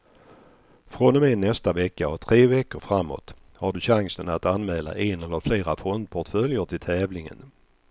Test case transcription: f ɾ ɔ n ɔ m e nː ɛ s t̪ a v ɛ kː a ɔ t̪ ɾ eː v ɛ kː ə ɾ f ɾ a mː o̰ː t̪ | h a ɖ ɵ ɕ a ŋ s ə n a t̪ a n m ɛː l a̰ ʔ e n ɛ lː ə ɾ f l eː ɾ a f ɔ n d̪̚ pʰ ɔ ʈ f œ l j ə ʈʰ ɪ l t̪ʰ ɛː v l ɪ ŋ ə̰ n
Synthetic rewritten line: f ɾ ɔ n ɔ m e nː ɛ s t̪ a v ɛ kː a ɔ t̪ʰ ɾ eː v ɛ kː ə ɾ f ɾ a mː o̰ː t̪ | h a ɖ ɵ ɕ a ŋ s ə n a t̪ a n m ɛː l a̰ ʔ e n ɛ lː ə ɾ f l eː ɾ a f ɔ n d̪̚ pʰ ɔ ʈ f œ l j ə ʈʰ ɪ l t̪ʰ ɛː v l ɪ ŋ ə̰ n